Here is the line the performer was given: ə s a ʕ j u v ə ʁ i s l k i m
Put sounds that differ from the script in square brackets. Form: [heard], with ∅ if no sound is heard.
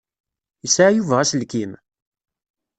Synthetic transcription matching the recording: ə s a ʕ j u v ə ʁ [æ] s l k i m

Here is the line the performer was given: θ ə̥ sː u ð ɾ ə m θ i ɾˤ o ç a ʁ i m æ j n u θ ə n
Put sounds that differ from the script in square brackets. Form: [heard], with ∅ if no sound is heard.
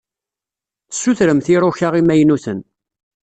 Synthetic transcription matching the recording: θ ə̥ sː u [θ] ɾ ə m θ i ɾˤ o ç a ʁ i m æ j n u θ ə n

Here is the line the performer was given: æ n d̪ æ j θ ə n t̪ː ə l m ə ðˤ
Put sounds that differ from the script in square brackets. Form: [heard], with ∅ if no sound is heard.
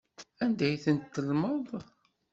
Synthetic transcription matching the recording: æ n d̪ æ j θ ə n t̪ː ə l m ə ðˤ

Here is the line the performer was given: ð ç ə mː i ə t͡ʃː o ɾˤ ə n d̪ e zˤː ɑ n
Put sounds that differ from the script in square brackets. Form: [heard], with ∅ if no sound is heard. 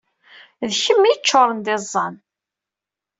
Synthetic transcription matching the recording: ð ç ə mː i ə t͡ʃː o ɾˤ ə n d̪ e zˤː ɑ n

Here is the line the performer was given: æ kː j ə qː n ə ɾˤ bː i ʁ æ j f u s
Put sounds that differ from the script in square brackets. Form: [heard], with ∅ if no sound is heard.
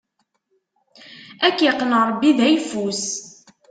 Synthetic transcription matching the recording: æ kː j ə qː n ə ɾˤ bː i [ð] æ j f u s

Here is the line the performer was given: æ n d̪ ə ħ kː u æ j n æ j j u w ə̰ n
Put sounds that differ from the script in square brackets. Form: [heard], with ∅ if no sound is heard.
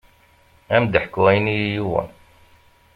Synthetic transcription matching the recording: æ [m] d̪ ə ħ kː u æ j n [i] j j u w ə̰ n

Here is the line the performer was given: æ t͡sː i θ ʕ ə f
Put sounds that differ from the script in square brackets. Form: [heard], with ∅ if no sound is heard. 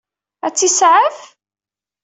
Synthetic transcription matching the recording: æ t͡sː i [s] ʕ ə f

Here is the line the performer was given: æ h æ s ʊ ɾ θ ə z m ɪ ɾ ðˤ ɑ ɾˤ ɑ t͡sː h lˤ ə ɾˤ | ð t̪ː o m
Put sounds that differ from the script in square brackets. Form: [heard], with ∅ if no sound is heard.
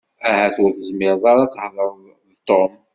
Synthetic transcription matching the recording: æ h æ [θ] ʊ ɾ θ ə z m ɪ ɾ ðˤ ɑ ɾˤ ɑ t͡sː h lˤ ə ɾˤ | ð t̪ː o m

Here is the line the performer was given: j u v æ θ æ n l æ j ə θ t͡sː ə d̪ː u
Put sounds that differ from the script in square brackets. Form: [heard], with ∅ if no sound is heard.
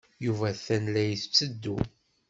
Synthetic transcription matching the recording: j u v æ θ æ n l æ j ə θ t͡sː ə d̪ː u

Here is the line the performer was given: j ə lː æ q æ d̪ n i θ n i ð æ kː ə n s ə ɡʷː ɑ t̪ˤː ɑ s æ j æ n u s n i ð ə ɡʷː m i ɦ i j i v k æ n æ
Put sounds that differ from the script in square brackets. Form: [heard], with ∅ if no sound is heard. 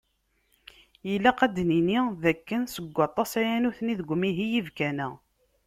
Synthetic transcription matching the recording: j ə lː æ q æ d̪ n i [∅] n i ð æ kː ə n s ə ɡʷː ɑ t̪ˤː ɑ s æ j æ n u [θ] n i ð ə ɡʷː m i ɦ i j i v k æ n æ

